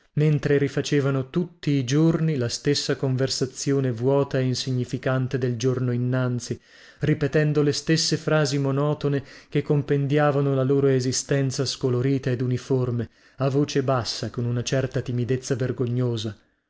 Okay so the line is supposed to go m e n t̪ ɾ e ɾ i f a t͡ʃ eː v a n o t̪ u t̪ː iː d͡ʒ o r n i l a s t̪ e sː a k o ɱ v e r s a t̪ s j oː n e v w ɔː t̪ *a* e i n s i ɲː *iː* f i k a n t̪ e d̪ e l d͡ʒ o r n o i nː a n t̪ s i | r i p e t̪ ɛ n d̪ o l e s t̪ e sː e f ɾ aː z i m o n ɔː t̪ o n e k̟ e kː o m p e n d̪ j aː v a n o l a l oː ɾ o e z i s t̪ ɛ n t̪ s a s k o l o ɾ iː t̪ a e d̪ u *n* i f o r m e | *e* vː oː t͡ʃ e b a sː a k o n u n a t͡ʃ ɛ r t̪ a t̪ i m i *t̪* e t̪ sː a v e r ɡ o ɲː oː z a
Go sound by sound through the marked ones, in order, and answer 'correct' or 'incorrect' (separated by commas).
correct, incorrect, correct, incorrect, incorrect